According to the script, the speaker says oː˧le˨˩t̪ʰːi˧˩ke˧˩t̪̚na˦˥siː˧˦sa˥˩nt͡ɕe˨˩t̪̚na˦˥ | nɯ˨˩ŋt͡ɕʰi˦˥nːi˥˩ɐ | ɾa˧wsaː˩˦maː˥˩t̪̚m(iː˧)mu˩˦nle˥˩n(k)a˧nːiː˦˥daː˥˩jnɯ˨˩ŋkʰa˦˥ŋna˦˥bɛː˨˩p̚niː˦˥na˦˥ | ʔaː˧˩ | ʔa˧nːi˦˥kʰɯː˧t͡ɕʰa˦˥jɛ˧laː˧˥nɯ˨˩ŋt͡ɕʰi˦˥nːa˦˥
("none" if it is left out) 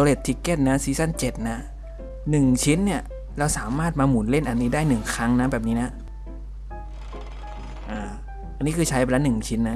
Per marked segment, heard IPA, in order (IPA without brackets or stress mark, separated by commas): aː˧, ʔ